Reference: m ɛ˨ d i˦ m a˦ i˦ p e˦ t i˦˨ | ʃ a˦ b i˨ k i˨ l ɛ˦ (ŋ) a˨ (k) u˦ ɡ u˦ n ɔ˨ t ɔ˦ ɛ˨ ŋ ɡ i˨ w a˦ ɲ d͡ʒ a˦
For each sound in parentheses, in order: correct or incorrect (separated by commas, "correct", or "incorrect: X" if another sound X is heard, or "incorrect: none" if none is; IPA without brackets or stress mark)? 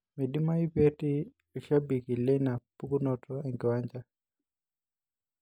incorrect: n, incorrect: p